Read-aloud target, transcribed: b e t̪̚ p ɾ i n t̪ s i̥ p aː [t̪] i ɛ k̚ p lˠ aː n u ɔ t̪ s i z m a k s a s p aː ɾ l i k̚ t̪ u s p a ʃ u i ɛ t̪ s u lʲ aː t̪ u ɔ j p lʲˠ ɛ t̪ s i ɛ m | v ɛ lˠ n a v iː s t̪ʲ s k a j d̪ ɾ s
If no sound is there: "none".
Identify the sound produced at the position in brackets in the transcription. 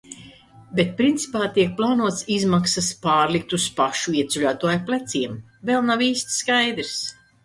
t̪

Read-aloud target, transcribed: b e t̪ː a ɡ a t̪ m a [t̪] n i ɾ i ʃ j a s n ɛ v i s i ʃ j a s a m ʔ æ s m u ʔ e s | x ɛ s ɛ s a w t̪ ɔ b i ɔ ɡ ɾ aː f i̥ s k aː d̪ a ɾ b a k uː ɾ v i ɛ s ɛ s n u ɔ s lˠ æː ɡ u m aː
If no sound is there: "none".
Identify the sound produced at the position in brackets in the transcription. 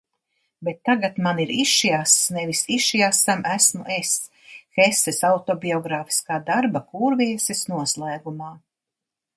none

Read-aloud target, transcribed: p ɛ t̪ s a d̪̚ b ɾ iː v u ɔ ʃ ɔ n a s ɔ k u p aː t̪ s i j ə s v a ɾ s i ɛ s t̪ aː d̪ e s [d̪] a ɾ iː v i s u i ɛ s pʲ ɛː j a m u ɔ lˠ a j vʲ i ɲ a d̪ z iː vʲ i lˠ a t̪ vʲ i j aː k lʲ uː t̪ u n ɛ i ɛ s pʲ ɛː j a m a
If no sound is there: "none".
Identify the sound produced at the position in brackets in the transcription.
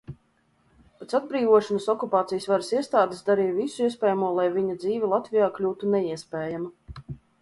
d̪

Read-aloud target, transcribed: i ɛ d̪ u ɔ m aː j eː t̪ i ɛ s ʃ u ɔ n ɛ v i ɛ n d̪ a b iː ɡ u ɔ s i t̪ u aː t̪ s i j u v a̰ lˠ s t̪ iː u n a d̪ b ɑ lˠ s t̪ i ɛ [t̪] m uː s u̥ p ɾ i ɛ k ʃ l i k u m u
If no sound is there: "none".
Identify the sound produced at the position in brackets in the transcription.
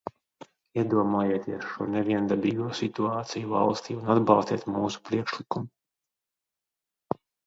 t̪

